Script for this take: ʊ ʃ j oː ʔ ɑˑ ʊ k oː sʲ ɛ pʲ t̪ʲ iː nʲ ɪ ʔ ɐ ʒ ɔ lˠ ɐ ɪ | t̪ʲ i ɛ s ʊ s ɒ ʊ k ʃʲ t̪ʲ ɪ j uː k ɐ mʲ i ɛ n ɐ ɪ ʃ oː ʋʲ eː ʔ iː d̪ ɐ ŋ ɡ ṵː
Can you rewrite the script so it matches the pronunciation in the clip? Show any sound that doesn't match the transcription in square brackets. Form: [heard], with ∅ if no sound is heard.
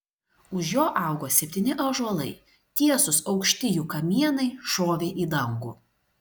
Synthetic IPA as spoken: ʊ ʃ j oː ʔ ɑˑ ʊ [ɡ] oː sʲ ɛ pʲ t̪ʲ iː nʲ ɪ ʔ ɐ ʒ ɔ lˠ ɐ ɪ | t̪ʲ i ɛ s ʊ s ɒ ʊ k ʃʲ t̪ʲ ɪ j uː k ɐ mʲ i ɛ n ɐ ɪ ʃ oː ʋʲ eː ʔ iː d̪ ɐ ŋ ɡ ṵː